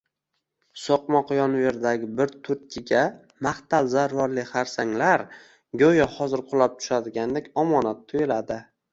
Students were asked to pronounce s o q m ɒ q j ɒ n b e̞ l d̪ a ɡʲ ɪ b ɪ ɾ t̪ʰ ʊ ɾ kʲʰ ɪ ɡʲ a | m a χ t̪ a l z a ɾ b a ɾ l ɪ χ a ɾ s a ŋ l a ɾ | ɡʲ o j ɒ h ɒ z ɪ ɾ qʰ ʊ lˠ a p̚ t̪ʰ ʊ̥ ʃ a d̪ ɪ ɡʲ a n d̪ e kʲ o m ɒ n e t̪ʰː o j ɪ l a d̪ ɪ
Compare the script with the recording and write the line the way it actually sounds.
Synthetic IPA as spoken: s o q m ɒ q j ɒ n v e̞ ɾ d̪ a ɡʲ ɪ b ɪ ɾ t̪ʰ ʊ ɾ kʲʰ ɪ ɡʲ a | m a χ t̪ a l z a ɾ v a ɾ l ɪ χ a ɾ s a ŋ l a ɾ | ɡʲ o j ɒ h ɒ z ɪ ɾ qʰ ʊ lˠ a p̚ t̪ʰ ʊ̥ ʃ a d̪ ɪ ɡʲ a n d̪ e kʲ ɒ m ɒ n a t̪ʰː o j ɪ l a d̪ ɪ